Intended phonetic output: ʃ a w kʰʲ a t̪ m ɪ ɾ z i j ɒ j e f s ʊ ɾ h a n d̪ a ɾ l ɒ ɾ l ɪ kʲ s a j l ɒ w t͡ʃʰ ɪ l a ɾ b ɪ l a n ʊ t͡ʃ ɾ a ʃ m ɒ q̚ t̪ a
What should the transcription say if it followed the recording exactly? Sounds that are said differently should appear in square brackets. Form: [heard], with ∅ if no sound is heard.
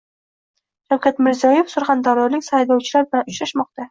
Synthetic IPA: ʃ a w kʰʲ a t̪ m ɪ ɾ z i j ɒ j e f s ʊ ɾ [χ] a n d̪ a ɾ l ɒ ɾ l ɪ kʲ s a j l ɒ w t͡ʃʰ ɪ l a ɾ b ɪ l a n ʊ t͡ʃ ɾ a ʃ m ɒ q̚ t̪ a